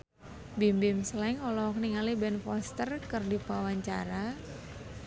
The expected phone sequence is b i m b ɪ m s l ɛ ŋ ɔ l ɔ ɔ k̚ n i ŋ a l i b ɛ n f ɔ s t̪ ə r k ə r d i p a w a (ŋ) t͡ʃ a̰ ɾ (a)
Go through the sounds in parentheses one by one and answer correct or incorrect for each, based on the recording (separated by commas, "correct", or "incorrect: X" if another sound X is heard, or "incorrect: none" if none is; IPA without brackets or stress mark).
incorrect: ɲ, correct